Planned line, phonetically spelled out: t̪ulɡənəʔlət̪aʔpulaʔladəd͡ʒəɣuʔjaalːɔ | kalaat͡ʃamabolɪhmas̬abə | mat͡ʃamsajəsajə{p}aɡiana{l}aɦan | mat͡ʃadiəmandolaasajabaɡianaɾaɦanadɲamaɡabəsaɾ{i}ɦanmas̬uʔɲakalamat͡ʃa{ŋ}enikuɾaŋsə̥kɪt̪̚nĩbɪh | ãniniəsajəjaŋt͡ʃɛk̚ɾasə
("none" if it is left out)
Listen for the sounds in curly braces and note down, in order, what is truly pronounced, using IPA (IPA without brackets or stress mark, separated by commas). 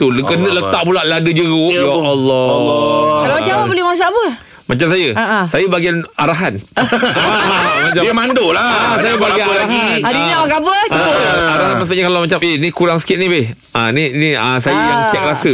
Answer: b, ɾ, a, m